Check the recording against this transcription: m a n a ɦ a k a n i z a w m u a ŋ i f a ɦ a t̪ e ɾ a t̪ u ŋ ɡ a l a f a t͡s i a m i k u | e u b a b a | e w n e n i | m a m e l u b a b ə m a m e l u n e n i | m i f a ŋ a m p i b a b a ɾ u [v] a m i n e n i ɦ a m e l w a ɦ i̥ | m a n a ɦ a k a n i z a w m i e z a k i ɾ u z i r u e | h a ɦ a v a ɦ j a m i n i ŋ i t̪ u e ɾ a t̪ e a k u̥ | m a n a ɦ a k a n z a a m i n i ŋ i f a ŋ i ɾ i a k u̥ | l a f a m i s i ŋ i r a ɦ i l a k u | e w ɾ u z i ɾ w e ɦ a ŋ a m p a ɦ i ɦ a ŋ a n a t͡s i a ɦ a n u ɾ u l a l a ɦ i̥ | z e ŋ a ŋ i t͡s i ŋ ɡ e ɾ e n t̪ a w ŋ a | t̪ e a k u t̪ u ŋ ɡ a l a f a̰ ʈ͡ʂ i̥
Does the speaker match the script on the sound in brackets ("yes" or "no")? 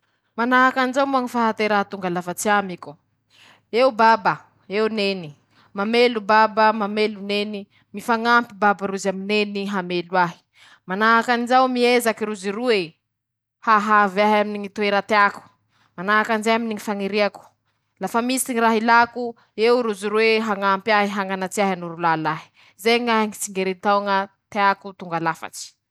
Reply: no